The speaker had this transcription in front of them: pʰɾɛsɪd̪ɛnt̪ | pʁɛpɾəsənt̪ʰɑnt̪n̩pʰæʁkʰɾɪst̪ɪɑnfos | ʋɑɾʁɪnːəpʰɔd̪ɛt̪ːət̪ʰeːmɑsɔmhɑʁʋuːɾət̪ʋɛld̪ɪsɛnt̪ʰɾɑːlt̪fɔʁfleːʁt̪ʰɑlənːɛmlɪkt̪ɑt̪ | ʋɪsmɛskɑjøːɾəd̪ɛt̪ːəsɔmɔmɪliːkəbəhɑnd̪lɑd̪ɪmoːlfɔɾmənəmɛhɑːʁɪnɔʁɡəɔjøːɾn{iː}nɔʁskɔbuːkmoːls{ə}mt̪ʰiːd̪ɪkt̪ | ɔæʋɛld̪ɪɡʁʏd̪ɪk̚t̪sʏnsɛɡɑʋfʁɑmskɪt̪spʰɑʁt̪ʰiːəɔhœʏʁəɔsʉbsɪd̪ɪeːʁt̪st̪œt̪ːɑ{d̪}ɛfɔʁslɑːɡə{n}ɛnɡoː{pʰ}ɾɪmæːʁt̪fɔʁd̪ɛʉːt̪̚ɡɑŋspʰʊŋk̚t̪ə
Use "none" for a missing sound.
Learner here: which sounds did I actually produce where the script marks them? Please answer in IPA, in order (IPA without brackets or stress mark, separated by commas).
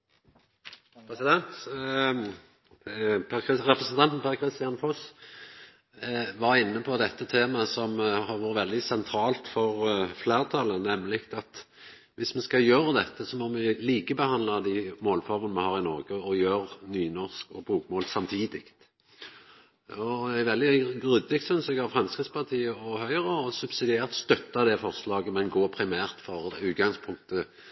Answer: yː, ɑ, d̪, m, pʰ